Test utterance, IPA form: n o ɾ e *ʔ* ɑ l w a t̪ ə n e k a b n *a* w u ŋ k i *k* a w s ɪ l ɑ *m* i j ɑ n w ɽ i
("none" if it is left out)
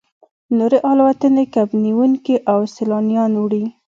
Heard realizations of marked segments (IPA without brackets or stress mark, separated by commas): ʔ, i, ʔ, n